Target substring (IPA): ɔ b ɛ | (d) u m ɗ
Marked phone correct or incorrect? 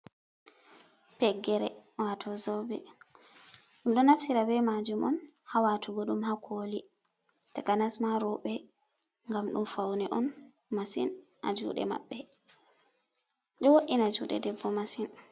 incorrect